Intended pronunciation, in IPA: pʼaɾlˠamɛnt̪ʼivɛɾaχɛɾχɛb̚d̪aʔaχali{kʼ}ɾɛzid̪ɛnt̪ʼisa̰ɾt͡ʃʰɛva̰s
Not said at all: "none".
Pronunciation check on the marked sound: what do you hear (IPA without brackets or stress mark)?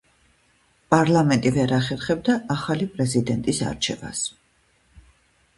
pʼ